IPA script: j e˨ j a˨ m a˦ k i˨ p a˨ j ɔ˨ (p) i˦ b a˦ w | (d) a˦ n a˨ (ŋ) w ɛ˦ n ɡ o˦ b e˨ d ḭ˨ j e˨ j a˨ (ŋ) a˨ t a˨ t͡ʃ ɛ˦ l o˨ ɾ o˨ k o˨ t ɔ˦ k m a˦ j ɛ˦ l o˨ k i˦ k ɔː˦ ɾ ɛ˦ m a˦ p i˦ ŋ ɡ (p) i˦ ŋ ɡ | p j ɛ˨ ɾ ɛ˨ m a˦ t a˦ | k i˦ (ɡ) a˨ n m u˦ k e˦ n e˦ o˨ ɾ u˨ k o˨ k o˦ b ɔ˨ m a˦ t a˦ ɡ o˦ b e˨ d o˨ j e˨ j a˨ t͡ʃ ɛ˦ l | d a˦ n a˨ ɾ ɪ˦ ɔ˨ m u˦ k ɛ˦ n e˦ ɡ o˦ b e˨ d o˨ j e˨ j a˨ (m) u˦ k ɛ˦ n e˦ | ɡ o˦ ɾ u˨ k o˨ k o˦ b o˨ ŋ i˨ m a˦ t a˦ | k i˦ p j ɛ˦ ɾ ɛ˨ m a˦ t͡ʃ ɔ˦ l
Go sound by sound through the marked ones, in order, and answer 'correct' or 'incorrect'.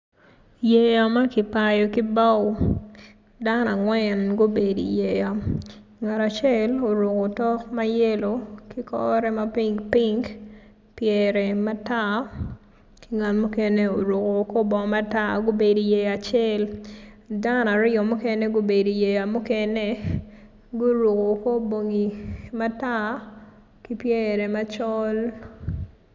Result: incorrect, correct, correct, correct, correct, incorrect, correct

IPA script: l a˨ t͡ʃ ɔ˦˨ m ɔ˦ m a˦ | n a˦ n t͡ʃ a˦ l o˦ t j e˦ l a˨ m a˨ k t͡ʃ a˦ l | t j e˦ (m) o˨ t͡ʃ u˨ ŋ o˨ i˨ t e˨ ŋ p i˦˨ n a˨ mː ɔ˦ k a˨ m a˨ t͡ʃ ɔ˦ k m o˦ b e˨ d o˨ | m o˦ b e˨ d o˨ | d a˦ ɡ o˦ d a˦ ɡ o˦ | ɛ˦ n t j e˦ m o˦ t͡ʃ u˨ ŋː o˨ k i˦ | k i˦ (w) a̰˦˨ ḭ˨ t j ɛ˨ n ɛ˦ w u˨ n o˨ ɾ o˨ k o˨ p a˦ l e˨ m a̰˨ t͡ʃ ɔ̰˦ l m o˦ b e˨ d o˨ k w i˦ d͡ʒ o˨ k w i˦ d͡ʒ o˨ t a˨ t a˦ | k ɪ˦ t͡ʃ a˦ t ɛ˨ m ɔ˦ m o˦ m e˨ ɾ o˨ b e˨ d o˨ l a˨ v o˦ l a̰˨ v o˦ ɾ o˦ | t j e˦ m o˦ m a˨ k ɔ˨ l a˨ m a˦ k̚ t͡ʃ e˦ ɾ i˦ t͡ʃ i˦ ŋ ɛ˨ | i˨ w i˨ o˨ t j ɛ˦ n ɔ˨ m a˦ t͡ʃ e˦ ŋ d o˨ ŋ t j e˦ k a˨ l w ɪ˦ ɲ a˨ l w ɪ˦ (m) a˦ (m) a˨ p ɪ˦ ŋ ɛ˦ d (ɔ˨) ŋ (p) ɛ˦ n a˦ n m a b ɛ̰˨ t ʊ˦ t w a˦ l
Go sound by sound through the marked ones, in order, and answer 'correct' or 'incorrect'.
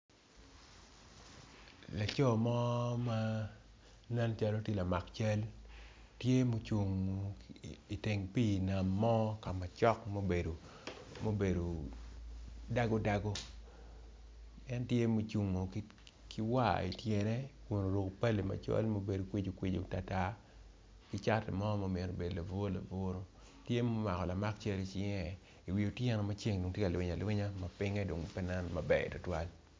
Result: correct, correct, incorrect, correct, incorrect, correct

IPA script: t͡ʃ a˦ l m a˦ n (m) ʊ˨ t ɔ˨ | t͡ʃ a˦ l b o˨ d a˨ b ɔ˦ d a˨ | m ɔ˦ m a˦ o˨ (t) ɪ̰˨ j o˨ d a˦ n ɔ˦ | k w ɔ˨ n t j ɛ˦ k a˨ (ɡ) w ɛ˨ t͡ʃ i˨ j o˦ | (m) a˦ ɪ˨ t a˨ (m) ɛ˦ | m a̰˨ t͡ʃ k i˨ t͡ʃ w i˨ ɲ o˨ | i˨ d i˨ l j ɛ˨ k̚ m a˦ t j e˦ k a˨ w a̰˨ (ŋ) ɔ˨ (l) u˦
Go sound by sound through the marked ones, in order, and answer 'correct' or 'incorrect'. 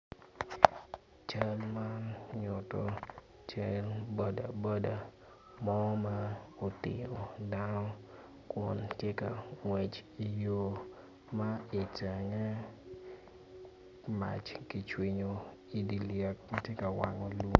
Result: incorrect, correct, incorrect, correct, incorrect, correct, correct

